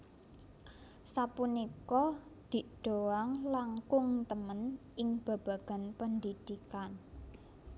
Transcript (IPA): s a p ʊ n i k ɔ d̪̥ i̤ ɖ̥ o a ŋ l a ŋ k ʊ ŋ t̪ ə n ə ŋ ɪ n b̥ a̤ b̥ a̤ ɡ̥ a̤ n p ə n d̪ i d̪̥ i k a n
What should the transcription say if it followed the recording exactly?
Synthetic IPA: s a p u n i k ɔ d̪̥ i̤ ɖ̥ o a ŋ l a ŋ k ʊ ŋ t̪ ə m ə n ɪ ŋ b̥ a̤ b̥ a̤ ɡ̥ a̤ n p ə n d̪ i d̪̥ i k a n